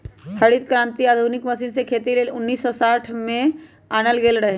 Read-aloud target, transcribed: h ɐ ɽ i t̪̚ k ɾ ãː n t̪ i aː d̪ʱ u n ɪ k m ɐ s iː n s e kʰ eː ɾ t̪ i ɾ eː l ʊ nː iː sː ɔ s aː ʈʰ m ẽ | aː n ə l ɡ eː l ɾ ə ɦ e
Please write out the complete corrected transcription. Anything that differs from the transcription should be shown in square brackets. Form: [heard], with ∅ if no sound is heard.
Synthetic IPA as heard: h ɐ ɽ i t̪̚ k ɾ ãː n t̪ i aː d̪ʱ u n ɪ k m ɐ s iː n s e kʰ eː [∅] t̪ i [l] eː l ʊ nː iː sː ɔ s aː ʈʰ m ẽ | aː n ə l ɡ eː l ɾ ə ɦ e